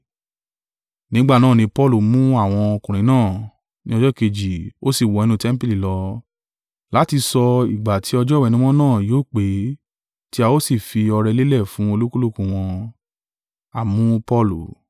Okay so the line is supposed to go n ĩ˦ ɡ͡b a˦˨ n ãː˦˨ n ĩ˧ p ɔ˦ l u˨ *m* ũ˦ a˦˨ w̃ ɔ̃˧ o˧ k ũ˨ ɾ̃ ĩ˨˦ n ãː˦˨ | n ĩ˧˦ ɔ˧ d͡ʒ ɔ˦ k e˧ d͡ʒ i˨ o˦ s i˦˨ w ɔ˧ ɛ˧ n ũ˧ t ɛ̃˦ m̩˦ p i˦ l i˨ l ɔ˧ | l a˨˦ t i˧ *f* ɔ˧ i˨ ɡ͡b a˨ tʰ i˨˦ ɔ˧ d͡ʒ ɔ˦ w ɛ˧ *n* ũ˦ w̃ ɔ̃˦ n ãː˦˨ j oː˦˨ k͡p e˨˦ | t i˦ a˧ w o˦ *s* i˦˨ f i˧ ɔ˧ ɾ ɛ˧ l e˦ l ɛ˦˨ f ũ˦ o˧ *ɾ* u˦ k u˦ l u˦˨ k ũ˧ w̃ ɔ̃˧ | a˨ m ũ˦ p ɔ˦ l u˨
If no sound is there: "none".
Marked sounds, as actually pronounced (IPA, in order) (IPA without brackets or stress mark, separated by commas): m, s, n, s, l